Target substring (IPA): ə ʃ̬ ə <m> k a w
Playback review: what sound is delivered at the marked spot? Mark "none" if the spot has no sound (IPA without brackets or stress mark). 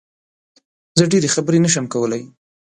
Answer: m